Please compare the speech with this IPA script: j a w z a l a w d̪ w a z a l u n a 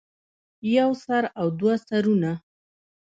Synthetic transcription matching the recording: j a w s a ɾ a w d̪ w a s a ɾ u n a